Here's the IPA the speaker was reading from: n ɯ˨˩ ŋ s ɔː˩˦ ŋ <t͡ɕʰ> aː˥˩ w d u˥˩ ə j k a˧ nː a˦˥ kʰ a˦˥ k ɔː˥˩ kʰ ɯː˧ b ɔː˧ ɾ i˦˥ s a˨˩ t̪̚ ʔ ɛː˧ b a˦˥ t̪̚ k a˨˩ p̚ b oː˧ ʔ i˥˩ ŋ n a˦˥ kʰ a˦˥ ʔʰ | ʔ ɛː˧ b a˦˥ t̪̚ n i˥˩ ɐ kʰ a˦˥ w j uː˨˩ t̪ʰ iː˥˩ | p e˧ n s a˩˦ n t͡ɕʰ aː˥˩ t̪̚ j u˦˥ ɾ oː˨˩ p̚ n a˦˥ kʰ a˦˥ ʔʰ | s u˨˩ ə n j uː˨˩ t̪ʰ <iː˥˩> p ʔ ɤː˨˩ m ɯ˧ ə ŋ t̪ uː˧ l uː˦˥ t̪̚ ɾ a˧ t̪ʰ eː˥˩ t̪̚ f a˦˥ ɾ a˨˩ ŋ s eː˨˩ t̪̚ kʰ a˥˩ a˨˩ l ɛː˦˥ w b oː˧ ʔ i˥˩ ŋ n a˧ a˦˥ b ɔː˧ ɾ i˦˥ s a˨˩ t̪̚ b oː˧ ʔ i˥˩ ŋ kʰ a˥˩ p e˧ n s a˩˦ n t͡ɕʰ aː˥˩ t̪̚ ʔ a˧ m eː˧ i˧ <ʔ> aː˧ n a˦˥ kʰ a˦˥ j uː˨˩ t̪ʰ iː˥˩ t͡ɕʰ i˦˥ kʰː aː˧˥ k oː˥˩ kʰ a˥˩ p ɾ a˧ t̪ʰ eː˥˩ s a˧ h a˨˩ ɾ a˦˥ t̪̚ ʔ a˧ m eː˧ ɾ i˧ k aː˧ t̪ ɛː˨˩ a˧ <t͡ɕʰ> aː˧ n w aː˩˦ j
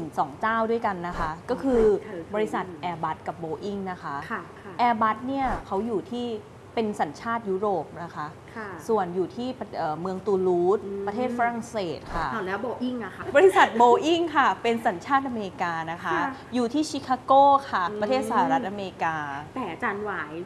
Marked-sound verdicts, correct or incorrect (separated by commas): incorrect, correct, incorrect, incorrect